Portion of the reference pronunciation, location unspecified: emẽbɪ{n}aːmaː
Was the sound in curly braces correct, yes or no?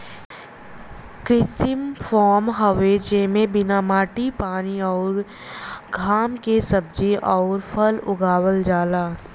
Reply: yes